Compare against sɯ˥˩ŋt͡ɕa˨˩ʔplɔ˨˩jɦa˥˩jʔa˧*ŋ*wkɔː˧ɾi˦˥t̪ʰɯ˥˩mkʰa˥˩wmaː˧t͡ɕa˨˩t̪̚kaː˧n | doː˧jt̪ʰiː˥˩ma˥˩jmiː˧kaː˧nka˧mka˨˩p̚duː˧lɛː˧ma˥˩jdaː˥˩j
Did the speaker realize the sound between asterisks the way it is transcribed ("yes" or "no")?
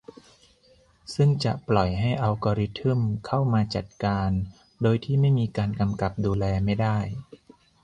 no